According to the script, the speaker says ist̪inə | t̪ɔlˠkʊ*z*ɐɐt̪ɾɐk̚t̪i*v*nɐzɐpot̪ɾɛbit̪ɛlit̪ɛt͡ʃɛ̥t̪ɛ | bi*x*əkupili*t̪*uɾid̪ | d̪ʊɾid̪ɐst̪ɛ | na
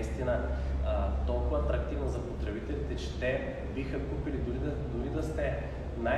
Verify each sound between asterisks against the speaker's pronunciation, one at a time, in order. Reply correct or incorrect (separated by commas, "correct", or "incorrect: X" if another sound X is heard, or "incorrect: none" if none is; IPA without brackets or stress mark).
incorrect: v, correct, correct, incorrect: d̪